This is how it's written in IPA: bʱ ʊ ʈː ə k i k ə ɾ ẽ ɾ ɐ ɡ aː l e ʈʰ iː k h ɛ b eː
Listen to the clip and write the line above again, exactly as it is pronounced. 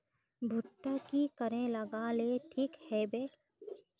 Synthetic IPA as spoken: bʱ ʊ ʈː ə k i k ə ɾ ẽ l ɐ ɡ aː l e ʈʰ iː k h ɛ b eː